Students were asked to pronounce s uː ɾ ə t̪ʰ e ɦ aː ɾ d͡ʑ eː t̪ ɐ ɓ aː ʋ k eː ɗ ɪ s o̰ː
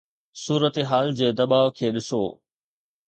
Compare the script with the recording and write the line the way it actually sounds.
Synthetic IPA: s uː ɾ ə t̪ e ɦ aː l d͡ʑ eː d̪ ɐ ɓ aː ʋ kʰ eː ɗ ɪ s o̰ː